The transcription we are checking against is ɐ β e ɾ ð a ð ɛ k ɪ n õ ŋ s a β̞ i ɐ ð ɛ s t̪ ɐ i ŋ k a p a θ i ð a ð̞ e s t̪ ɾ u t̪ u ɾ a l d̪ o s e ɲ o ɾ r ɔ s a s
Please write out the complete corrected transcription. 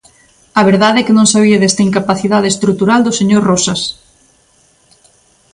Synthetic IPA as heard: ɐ β e ɾ ð a ð ɛ k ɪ n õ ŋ s a β̞ i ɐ ð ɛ s t̪ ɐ i ŋ k a p a θ i ð a ð̞ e s t̪ ɾ u t̪ u ɾ a l d̪ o s e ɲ o ɾ r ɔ s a s